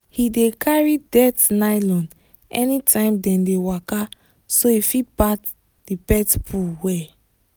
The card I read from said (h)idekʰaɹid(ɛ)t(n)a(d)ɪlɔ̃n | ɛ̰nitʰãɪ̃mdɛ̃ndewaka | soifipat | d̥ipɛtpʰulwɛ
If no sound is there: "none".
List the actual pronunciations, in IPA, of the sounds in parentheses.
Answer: h, ɛ, n, none

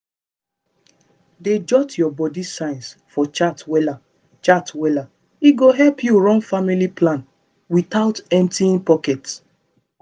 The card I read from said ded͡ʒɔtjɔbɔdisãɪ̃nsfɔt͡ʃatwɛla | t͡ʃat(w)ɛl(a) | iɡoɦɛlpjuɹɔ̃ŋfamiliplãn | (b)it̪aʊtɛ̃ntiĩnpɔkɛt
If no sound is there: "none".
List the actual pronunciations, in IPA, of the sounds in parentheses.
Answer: w, a, w

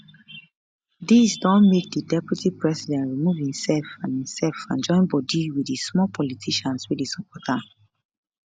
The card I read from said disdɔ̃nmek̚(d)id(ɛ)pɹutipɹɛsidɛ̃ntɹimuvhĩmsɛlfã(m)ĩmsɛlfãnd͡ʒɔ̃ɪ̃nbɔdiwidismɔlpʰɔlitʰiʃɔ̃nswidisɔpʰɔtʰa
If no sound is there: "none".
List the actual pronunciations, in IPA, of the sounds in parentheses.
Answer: d, ɛ, n

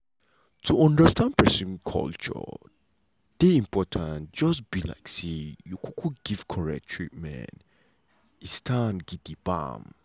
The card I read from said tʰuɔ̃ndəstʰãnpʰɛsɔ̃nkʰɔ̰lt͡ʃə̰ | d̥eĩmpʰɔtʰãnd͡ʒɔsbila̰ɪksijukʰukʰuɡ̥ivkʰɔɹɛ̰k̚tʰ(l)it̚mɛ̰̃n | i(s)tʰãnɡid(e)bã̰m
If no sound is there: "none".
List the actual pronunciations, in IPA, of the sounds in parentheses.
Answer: ɹ, s, i

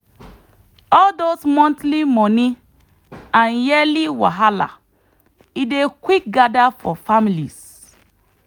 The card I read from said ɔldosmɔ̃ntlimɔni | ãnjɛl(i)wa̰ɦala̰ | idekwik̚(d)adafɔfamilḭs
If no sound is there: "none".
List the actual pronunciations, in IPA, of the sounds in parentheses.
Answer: i, ɡ

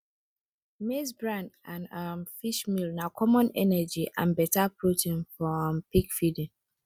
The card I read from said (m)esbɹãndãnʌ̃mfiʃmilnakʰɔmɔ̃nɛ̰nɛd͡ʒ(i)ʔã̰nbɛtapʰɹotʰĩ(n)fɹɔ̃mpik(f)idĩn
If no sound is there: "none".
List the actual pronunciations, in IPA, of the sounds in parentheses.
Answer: m, i, n, f

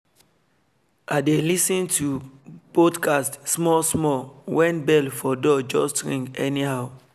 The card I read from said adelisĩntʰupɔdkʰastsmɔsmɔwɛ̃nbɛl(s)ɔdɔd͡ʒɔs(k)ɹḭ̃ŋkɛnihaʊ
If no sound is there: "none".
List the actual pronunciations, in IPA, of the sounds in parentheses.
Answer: f, t

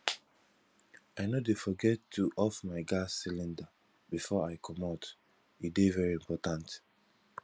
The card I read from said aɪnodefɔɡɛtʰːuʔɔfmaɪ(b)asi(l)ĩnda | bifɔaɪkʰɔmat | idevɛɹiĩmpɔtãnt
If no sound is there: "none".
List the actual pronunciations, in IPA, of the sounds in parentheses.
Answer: ɡ, l

